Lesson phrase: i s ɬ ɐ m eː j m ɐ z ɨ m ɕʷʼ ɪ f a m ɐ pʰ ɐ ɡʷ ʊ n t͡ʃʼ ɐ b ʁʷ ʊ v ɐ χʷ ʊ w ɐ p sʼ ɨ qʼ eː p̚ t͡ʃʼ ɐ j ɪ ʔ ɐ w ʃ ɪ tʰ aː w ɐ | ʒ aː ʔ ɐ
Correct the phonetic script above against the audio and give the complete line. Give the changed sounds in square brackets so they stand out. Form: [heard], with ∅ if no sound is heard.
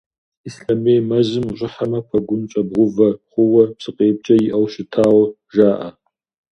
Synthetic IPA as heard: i s ɬ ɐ m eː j m ɐ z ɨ m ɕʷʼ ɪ [ħ] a m ɐ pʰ ɐ ɡʷ ʊ n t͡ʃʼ ɐ b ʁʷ ʊ v ɐ χʷ ʊ w ɐ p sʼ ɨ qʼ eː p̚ t͡ʃʼ ɐ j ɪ ʔ ɐ w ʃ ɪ tʰ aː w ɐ | ʒ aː ʔ ɐ